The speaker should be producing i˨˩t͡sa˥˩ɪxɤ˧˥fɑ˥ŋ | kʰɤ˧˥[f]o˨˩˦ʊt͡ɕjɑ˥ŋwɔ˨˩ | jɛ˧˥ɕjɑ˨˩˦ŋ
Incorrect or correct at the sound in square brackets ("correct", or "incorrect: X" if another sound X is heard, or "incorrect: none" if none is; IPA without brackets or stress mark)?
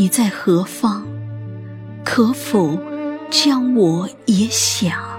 correct